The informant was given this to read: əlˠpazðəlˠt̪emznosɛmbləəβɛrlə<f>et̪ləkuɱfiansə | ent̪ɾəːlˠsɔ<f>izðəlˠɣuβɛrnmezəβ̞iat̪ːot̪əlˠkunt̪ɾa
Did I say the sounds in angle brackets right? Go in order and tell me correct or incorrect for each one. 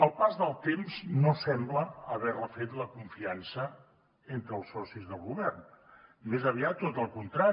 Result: correct, incorrect: s

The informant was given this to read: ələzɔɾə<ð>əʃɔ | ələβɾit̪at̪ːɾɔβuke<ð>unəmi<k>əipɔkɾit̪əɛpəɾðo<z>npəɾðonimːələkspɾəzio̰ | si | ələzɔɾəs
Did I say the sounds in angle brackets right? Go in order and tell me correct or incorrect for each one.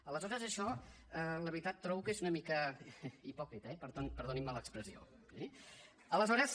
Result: incorrect: z, incorrect: z, correct, incorrect: none

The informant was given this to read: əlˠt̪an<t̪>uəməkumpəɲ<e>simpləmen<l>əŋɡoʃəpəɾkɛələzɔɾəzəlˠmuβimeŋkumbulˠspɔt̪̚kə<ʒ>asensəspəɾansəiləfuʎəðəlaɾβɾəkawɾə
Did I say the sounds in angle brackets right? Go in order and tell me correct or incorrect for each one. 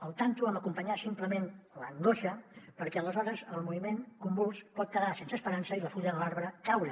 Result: correct, incorrect: a, correct, incorrect: ð

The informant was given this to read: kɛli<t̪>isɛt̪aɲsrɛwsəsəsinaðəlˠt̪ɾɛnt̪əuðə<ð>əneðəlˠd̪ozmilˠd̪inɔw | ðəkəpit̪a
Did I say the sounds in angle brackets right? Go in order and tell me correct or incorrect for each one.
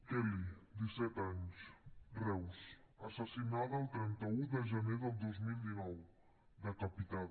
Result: incorrect: d̪, incorrect: ʒ

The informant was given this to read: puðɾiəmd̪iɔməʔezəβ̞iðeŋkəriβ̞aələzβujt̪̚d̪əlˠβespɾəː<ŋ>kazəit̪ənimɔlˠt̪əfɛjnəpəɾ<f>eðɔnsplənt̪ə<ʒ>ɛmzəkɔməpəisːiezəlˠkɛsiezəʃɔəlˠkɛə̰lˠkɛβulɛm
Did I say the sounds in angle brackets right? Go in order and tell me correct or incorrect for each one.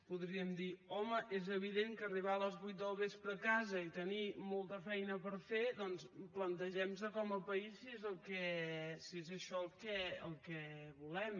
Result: incorrect: none, correct, correct

